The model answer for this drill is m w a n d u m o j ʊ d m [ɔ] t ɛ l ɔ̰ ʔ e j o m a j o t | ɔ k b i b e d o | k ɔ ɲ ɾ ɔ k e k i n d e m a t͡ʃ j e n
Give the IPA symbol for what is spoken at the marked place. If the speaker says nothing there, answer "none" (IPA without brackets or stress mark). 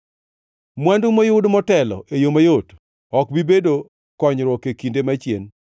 ɔ